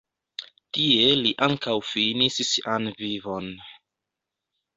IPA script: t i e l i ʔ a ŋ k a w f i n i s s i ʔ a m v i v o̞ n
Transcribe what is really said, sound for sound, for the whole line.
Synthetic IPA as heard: t i e l i ʔ a ŋ k a w f i n i s s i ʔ a n v i v o̞ n